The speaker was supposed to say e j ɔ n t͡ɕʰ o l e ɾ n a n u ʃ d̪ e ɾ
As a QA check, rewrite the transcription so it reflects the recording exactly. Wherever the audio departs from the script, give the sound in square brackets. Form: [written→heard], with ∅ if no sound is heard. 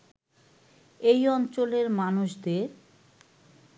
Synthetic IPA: e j ɔ n [t͡ɕʰ→t͡ɕ] o l e ɾ [n→m] a n u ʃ d̪ e ɾ